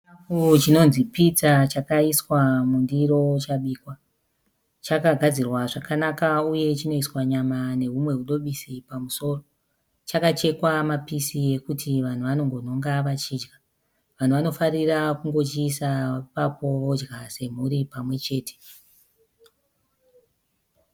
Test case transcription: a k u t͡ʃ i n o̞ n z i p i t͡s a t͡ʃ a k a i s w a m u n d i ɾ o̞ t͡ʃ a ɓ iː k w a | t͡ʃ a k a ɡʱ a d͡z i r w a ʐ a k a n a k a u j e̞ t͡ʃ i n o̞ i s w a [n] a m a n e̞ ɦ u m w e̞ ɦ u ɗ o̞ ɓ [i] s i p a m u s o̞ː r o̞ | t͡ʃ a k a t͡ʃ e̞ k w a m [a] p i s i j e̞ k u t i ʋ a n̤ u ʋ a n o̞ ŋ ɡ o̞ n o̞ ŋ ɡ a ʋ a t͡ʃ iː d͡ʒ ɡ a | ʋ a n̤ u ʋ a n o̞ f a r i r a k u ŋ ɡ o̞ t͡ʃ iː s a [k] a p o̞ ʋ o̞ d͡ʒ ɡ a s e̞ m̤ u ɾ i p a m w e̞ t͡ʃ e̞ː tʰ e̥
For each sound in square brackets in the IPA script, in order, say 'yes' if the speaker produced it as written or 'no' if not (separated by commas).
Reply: no, yes, yes, no